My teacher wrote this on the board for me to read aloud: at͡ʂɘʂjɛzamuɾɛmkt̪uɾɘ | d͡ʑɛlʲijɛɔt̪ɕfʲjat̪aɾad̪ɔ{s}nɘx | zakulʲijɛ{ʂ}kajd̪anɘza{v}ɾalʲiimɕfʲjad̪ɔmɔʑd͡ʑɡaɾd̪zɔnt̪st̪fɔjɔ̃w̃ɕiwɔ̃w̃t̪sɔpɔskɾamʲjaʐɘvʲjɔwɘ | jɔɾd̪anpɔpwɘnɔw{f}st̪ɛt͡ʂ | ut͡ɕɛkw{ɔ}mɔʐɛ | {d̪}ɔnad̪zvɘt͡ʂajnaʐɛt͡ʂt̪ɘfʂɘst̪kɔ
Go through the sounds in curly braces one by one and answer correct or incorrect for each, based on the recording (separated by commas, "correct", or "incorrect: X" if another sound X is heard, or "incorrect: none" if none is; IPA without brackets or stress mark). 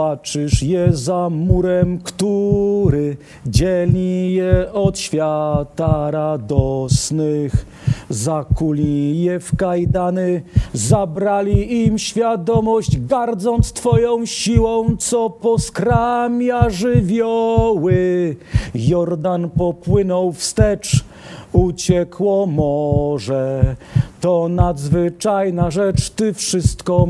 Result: correct, incorrect: f, incorrect: b, correct, correct, incorrect: t̪